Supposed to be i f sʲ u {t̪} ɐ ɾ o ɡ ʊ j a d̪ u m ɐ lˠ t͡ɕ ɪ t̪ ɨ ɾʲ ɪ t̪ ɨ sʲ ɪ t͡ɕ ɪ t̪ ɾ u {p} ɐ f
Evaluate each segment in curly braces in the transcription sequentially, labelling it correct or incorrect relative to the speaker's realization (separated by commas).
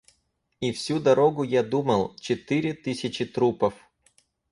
incorrect, correct